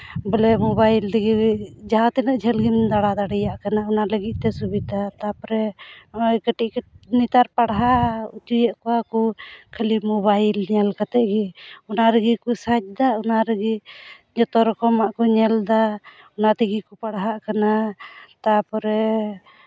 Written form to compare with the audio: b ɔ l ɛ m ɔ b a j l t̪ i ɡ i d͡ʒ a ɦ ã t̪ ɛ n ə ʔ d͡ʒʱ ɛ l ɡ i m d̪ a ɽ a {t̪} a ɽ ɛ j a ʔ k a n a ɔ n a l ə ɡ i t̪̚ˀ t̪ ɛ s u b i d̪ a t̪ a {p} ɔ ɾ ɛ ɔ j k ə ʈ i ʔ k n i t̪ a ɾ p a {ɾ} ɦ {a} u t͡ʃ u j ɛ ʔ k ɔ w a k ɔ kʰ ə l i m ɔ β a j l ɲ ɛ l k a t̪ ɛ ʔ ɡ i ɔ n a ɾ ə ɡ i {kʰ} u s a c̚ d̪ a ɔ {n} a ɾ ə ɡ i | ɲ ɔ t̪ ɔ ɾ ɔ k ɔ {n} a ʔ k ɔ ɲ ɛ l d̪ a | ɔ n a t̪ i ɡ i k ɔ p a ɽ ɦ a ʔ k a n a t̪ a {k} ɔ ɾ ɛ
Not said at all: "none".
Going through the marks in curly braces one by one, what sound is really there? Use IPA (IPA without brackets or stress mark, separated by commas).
d̪, p, ɽ, a, k, n, m, p